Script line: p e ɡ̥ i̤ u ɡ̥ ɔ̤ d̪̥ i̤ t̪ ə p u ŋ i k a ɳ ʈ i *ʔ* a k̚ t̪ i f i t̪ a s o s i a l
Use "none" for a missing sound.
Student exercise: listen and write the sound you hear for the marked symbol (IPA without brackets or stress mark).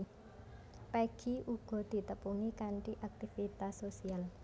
ʔ